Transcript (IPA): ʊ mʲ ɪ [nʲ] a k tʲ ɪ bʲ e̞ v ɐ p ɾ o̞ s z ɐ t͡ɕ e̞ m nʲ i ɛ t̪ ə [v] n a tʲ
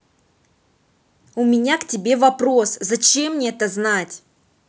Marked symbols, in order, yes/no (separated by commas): yes, no